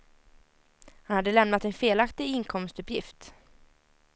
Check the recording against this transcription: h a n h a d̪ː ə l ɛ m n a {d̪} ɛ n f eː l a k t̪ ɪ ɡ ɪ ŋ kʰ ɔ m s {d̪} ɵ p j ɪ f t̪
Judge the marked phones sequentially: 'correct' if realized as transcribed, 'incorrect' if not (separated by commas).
incorrect, incorrect